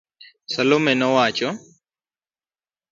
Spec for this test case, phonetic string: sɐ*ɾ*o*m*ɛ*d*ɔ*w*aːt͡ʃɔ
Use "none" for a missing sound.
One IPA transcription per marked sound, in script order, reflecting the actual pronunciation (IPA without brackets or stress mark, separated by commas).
l, m, n, w